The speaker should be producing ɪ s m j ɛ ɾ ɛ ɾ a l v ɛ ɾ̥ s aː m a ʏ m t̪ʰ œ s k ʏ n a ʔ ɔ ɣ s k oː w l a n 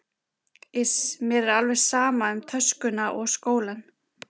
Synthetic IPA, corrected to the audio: ɪ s m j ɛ ɾ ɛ ɾ a l v ɛ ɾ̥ s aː m a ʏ m t̪ʰ œ s k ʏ n a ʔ ɔ ɣ s k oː w l a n